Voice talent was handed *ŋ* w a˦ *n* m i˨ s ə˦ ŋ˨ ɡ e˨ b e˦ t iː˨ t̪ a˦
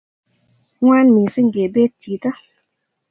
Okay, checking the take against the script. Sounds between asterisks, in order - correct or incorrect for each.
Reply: correct, correct

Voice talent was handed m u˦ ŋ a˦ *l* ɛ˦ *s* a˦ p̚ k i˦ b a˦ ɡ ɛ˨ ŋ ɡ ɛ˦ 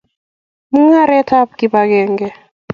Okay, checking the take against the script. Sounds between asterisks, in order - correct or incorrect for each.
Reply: incorrect: ɾ, incorrect: t

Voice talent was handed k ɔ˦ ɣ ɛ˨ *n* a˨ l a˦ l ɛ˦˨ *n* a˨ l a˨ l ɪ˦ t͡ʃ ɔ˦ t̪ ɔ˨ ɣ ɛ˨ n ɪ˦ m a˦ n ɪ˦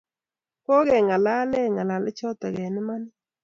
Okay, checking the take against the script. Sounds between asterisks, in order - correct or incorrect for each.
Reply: incorrect: ŋ, incorrect: ŋ

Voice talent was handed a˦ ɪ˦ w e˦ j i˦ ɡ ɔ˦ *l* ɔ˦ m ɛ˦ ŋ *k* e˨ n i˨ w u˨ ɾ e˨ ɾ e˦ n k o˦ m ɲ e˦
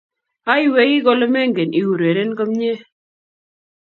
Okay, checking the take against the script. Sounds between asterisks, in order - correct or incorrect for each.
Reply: correct, incorrect: ɡ

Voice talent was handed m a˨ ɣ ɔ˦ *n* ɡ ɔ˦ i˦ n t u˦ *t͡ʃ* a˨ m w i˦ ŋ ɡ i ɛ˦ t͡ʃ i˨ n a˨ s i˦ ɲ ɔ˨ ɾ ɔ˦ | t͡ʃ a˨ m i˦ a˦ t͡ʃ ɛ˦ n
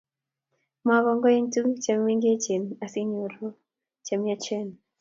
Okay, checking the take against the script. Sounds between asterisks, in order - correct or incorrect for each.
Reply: incorrect: ŋ, correct

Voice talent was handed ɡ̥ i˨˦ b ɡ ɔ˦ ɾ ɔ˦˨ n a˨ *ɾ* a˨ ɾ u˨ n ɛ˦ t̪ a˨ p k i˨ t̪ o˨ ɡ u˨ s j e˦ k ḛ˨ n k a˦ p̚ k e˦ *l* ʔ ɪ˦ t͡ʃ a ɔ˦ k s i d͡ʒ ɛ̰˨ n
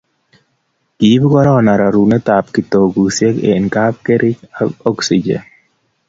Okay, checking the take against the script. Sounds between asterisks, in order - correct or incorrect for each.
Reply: correct, incorrect: ɾ

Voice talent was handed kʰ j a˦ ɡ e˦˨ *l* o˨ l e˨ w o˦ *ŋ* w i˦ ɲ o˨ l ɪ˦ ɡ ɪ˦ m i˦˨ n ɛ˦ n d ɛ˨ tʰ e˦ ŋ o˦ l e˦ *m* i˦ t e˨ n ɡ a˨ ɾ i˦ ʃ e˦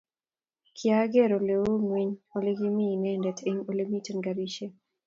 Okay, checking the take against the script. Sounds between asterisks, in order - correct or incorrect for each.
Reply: incorrect: ɾ, correct, correct

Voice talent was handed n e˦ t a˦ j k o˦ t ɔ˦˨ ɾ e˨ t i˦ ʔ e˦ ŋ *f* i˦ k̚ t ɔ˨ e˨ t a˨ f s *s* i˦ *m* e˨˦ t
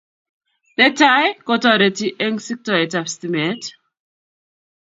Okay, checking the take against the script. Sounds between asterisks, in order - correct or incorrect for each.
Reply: incorrect: s, incorrect: t, correct

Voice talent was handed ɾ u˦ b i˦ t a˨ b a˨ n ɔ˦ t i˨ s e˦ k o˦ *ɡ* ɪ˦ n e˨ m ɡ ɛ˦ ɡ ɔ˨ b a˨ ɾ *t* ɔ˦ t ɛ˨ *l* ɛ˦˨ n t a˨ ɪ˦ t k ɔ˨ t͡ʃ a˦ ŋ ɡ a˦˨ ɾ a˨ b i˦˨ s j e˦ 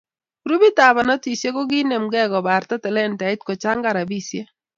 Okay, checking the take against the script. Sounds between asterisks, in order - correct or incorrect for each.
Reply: correct, correct, correct

